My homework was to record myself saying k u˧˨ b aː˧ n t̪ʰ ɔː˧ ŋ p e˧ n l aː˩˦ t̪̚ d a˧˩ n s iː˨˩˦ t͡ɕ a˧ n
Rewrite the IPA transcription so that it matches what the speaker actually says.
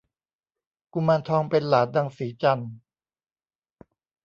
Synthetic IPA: k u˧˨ m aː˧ n t̪ʰ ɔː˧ ŋ p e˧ n l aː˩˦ t̪̚ d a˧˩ ŋ s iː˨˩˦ t͡ɕ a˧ n